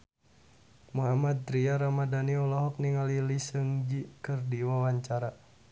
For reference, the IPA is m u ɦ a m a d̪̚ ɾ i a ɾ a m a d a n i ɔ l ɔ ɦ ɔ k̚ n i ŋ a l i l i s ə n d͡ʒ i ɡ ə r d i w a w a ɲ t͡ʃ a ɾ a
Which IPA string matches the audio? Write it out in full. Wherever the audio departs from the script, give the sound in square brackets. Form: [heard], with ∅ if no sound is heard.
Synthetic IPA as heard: m u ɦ a m a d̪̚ ɾ i a ɾ a m a d a n i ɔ l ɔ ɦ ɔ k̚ n i ŋ a l i l i s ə [ŋ] d͡ʒ i [k] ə r d i w a w a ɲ t͡ʃ a ɾ a